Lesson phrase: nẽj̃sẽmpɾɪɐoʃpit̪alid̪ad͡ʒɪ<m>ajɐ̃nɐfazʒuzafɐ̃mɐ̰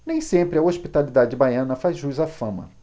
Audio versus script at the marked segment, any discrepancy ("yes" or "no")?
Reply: yes